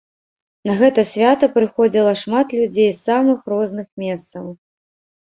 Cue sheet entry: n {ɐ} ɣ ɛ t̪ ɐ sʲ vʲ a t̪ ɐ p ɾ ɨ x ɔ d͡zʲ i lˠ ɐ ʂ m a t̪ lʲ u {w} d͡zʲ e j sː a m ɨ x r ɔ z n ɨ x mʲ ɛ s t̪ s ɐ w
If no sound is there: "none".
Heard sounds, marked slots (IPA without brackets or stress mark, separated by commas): ɐ, none